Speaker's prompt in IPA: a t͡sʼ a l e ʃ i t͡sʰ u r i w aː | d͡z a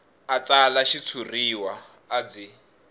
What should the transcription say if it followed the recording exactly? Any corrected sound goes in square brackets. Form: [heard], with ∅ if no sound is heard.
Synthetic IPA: a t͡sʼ a l [a] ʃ i t͡sʰ u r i w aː | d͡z [i]